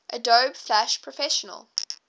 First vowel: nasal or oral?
oral